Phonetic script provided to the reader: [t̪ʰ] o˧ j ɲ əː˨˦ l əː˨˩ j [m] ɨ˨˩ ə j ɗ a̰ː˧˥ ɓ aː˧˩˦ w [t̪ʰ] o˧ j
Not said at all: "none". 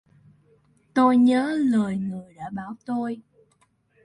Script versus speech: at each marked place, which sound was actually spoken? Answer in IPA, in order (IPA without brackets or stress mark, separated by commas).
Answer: t̪, ŋ, t̪